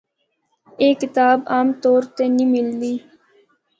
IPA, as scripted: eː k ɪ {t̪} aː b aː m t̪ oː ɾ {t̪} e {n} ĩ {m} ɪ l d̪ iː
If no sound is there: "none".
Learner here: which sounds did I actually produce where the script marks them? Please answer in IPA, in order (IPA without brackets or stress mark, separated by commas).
t̪, t̪, n, m